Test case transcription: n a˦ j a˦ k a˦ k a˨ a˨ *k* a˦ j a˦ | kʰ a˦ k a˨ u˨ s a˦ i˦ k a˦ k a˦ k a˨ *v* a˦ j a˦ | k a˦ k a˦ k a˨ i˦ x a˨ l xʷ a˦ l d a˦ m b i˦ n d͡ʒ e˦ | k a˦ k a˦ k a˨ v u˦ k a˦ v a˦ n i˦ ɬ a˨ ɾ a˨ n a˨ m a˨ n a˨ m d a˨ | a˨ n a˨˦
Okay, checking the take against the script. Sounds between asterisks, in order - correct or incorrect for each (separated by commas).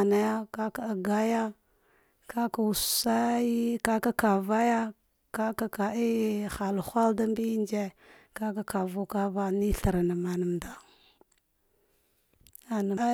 incorrect, correct